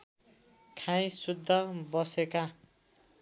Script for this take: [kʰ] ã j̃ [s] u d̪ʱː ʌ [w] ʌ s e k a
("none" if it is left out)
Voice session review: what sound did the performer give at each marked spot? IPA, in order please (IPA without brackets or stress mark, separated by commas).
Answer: kʰ, s, b